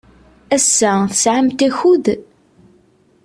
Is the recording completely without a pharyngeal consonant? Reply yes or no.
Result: no